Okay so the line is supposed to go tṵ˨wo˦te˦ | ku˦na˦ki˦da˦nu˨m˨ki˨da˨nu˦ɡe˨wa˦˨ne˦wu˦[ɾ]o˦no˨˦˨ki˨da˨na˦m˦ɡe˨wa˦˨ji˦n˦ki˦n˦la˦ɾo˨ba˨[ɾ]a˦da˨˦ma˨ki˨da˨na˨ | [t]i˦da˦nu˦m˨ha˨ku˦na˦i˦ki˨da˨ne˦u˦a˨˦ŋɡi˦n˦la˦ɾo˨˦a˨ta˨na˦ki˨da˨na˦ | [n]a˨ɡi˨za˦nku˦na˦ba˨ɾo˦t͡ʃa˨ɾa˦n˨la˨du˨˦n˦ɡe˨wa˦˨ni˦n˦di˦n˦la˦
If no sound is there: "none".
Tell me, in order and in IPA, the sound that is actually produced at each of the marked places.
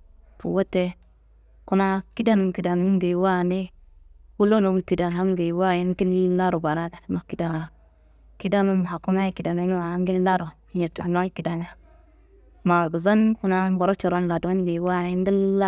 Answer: l, ɾ, k, m

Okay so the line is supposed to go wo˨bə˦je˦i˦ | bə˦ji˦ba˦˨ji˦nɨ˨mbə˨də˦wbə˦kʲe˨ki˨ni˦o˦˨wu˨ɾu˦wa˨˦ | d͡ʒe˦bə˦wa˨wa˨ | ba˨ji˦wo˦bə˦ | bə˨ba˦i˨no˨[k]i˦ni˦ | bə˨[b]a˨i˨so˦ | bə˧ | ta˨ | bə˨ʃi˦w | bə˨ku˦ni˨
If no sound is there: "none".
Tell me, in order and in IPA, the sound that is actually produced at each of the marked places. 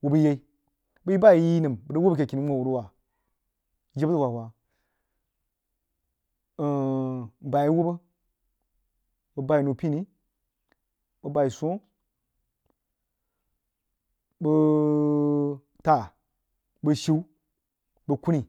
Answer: p, b

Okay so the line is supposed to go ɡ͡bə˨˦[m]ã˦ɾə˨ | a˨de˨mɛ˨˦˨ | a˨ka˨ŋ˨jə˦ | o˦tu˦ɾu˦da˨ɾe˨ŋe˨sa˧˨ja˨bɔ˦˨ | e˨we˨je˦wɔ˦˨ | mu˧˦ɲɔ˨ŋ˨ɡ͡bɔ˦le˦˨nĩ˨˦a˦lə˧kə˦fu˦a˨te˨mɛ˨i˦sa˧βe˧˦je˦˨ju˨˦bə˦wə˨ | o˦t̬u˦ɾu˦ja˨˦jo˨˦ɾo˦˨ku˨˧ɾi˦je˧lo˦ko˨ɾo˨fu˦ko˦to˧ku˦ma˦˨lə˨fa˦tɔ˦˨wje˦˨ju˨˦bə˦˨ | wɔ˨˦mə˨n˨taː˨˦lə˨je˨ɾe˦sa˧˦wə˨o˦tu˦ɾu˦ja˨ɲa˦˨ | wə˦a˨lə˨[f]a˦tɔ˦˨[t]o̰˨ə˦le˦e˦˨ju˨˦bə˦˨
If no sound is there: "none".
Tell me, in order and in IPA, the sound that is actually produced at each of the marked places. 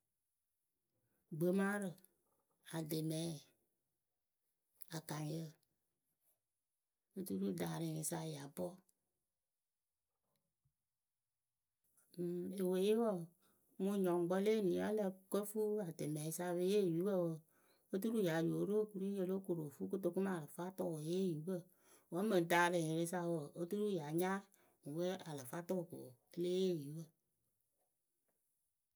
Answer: m, f, k

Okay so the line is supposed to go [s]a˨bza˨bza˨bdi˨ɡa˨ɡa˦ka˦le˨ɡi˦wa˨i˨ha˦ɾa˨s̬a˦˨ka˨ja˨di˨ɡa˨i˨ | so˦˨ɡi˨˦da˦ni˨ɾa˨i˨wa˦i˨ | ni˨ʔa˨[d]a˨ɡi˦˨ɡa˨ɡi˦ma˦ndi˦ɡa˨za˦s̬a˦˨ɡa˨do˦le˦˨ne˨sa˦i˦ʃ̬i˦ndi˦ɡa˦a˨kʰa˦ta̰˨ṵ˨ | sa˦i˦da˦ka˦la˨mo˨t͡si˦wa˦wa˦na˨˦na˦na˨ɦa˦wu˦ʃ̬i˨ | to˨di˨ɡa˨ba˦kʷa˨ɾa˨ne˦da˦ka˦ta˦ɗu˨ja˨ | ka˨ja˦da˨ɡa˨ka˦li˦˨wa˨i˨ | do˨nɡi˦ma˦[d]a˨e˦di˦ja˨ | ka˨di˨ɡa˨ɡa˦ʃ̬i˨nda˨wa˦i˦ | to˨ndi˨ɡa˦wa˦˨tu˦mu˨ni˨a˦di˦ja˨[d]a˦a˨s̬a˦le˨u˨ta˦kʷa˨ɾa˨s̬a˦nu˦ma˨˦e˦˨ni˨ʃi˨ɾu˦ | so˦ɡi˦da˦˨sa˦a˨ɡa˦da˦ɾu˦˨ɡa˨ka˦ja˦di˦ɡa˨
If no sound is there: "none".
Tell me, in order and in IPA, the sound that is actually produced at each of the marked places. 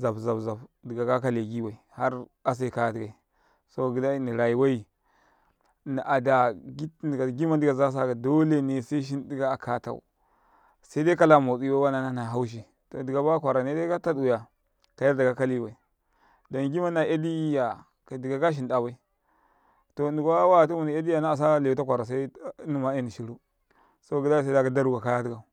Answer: z, d, n, n

